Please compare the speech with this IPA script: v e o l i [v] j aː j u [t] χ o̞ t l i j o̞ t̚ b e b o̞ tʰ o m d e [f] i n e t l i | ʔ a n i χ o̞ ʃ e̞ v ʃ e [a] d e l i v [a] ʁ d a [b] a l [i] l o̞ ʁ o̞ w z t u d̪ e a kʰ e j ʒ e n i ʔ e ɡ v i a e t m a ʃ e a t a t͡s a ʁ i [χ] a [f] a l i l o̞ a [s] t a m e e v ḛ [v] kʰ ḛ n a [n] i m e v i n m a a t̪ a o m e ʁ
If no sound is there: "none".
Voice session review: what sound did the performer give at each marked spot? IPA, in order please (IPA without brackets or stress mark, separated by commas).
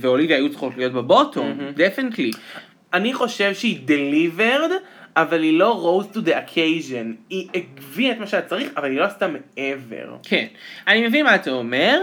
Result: v, t͡s, f, i, e, v, i, χ, v, s, ʁ, n